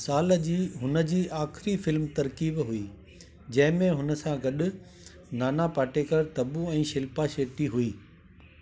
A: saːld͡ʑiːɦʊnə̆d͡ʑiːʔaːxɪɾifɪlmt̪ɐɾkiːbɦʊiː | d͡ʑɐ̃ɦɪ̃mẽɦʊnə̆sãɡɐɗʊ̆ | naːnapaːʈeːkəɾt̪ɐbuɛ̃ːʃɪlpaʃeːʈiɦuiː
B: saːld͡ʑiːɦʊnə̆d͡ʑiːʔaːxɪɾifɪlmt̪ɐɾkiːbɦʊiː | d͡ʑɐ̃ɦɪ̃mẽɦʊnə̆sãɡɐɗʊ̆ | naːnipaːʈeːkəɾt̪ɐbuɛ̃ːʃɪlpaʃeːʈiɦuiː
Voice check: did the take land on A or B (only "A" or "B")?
A